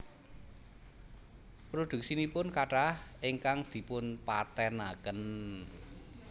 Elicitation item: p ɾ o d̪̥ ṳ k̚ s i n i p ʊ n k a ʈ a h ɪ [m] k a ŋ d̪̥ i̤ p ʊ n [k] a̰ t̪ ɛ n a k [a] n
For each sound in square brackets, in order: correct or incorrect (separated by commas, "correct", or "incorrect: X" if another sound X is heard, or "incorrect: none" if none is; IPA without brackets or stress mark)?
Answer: incorrect: ŋ, incorrect: p, incorrect: ə